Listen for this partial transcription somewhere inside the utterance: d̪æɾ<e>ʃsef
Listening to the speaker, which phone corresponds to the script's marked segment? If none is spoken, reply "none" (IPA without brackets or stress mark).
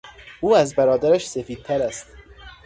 æ